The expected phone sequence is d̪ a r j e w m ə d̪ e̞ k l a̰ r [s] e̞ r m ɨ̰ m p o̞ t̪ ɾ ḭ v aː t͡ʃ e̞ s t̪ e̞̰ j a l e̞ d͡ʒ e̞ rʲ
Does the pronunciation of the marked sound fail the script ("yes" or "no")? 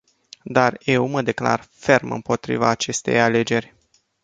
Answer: yes